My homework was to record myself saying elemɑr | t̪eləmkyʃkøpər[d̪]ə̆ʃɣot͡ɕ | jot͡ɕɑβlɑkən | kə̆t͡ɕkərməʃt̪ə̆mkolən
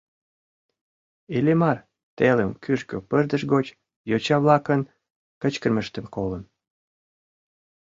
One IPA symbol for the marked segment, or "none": d̪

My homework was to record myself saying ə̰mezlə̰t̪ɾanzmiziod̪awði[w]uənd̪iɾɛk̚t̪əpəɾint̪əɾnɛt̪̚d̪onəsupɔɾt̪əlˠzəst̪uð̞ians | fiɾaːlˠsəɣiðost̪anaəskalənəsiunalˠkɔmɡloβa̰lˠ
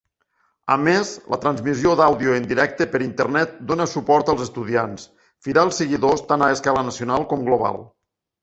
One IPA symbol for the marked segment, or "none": none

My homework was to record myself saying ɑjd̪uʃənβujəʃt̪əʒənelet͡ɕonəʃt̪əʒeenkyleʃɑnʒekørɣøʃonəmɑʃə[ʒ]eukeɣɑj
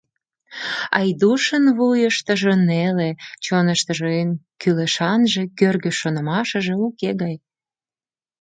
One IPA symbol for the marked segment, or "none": ʒ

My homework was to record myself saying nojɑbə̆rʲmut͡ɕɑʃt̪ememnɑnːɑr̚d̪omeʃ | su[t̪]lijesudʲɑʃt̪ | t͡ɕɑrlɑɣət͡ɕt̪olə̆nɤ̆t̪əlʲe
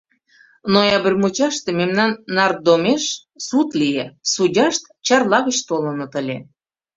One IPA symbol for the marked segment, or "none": t̪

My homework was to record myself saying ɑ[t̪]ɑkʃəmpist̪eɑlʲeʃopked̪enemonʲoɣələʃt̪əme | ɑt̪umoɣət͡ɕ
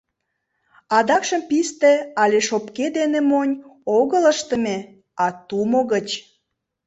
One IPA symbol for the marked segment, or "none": d̪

